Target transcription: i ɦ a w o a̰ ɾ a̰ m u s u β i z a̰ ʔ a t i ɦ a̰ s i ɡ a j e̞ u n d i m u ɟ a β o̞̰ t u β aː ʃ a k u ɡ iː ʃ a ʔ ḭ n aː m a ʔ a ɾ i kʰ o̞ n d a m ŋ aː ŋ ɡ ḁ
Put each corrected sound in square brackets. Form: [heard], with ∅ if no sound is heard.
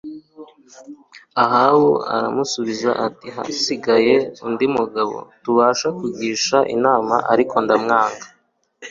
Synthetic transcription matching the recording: [a] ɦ a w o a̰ ɾ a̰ m u s u β i z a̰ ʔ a t i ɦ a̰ s i ɡ a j e̞ u n d i m u [ɡ] a β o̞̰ t u β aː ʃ a k u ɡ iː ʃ a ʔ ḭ n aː m a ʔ a ɾ i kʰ o̞ n d a m ŋ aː ŋ ɡ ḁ